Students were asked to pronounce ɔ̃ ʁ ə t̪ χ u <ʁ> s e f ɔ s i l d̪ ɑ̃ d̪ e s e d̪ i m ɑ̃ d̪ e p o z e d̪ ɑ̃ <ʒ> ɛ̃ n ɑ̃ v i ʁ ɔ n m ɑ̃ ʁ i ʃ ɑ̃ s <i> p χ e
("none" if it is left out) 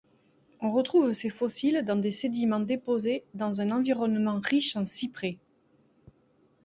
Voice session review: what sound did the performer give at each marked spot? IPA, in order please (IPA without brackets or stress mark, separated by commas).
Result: v, z, i